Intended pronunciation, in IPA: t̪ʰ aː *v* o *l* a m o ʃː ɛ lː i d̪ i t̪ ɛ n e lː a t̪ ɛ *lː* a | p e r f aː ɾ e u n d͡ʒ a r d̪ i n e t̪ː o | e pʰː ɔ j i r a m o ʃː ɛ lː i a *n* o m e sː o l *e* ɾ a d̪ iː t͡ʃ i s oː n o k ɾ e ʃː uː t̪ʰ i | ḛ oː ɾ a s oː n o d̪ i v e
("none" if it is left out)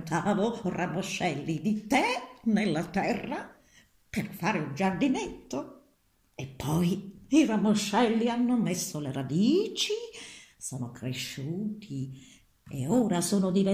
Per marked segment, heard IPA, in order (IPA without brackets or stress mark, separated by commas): v, r, rː, nː, e